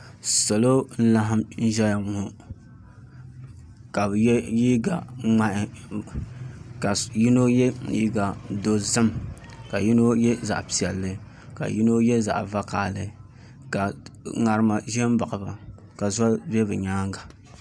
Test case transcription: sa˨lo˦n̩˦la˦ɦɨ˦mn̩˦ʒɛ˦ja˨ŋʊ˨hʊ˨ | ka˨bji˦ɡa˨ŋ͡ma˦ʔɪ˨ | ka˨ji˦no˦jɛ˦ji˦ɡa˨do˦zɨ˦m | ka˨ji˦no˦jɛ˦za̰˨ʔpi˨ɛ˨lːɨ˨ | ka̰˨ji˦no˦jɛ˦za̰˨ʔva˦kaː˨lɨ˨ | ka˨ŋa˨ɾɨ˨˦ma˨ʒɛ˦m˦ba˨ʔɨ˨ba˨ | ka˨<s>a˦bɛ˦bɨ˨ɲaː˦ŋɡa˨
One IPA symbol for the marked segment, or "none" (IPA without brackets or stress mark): z